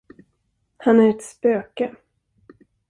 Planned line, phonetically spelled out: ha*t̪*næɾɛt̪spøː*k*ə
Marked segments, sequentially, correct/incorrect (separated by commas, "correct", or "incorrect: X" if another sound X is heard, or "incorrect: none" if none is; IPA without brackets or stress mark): incorrect: none, correct